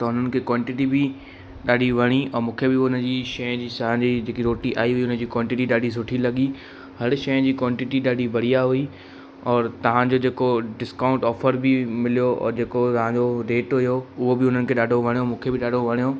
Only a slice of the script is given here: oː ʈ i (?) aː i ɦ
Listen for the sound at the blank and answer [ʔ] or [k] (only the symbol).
ʔ